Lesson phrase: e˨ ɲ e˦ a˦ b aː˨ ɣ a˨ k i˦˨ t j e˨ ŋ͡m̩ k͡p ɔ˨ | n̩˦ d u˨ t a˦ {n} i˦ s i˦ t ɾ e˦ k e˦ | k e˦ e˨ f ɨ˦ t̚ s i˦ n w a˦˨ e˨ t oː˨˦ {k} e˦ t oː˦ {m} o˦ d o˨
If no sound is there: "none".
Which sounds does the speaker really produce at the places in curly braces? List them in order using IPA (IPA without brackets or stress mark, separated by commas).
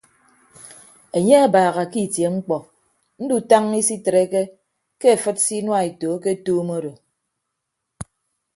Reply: ŋ, k, m